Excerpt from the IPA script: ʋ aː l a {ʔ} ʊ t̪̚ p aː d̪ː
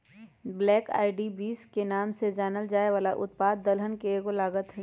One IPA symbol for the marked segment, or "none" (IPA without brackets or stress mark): ʔ